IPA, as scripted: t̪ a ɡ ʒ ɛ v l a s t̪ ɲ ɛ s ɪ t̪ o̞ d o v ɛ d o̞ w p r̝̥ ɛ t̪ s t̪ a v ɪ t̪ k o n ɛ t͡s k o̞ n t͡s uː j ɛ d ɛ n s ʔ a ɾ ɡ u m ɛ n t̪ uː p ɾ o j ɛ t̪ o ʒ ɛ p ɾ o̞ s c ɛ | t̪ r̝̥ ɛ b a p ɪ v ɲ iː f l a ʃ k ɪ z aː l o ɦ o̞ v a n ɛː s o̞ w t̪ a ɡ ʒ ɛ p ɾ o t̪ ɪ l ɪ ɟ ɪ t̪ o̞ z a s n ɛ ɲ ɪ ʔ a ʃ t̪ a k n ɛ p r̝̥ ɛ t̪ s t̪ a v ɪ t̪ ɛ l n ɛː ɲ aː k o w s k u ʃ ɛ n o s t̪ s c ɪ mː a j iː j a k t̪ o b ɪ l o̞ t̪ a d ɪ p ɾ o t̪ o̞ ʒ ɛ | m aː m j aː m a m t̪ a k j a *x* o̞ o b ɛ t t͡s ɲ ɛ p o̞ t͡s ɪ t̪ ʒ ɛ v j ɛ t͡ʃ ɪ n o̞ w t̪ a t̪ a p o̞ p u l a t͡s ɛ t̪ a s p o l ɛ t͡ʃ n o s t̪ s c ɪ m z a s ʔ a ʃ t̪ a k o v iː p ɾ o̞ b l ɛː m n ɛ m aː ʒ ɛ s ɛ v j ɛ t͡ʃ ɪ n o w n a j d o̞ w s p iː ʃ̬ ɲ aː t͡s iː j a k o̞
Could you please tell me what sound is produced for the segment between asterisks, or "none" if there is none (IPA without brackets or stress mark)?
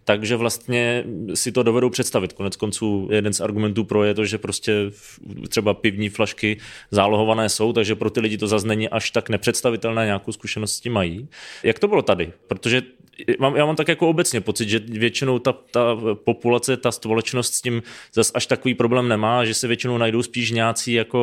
k